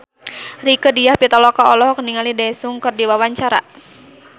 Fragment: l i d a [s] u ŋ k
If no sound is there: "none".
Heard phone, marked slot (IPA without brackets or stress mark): s